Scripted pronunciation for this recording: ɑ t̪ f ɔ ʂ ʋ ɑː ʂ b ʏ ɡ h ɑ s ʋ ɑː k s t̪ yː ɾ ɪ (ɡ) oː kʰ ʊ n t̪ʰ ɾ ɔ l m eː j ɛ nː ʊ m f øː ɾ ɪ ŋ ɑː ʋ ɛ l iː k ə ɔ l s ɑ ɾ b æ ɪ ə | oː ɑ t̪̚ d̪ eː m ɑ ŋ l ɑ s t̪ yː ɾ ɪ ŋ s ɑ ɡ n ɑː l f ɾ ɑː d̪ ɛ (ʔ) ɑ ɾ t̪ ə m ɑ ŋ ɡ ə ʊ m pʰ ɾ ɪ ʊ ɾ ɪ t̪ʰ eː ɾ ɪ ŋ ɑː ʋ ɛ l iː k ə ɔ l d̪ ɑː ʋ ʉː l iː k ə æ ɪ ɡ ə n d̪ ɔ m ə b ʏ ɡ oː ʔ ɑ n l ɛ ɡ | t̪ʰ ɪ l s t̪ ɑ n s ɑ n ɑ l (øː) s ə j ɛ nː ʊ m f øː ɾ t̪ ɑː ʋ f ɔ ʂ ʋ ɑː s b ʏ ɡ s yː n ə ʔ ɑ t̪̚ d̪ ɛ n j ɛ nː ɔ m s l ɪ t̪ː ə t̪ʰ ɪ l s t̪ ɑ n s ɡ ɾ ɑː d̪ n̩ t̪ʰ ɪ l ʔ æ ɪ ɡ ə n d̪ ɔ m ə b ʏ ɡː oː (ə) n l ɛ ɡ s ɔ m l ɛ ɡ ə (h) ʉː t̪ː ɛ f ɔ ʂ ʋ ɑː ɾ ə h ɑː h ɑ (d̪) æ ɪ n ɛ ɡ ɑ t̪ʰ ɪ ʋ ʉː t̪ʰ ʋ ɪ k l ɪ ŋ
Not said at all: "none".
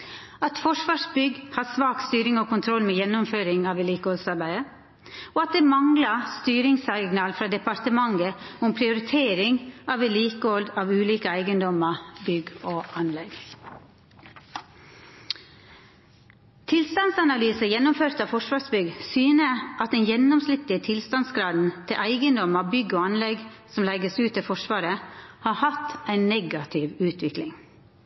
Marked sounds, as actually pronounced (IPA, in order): ŋ, p, yː, ɑ, s, t̪

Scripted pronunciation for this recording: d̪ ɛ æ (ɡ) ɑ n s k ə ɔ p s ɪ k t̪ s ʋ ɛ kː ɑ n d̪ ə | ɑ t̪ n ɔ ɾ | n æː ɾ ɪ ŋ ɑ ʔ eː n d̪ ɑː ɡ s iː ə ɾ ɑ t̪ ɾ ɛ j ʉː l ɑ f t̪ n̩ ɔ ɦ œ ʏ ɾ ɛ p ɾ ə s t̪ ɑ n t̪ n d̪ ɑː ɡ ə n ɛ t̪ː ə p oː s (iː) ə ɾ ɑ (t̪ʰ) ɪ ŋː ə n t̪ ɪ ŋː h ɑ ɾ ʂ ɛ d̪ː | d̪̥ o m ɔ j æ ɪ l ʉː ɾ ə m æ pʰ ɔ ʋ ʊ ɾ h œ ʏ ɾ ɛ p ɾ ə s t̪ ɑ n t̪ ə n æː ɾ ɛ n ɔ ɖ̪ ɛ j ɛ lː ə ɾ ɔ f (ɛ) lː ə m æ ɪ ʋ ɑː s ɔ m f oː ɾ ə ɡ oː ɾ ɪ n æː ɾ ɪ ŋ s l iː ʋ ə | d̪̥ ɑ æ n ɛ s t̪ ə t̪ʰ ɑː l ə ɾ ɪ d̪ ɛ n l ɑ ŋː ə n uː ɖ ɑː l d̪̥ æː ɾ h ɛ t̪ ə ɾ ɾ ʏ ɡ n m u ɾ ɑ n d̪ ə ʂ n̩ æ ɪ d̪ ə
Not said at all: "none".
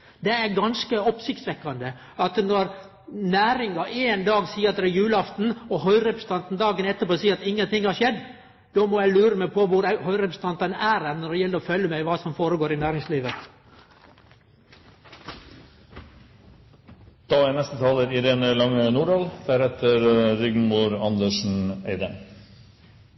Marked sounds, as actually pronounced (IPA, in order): ɡ, iː, t̪, œ

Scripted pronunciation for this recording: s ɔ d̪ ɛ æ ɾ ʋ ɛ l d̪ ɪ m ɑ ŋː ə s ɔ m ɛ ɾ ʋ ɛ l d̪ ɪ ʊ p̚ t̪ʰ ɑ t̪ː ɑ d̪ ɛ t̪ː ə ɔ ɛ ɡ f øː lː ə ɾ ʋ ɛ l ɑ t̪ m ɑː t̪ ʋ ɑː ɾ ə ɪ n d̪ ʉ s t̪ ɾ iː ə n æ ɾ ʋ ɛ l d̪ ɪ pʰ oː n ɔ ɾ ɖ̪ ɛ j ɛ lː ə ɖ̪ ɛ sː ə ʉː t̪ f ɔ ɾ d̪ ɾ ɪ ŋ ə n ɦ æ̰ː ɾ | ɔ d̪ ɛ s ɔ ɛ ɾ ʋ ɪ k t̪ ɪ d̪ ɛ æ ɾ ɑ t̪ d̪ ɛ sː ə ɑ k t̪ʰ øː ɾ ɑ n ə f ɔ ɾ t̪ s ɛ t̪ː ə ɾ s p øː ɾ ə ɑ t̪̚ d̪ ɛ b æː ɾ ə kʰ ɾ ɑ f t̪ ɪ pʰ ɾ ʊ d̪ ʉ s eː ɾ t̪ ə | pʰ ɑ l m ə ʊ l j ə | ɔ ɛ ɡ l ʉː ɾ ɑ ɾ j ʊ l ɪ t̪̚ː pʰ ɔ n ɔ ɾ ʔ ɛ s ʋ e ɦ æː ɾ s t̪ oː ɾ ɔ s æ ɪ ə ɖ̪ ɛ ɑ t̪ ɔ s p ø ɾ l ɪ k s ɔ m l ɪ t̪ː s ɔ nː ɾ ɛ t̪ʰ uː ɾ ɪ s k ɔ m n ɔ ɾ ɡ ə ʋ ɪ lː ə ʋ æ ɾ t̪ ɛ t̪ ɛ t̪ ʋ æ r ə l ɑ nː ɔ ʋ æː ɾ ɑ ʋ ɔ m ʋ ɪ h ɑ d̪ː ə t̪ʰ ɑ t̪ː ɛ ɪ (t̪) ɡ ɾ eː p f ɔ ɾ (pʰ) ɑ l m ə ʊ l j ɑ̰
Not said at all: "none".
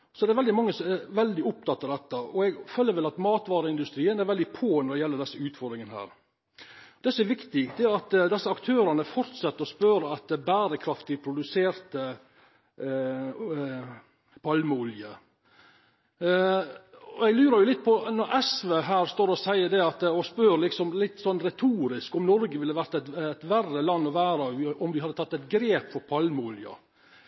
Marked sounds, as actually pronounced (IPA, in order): t̪, pʰ

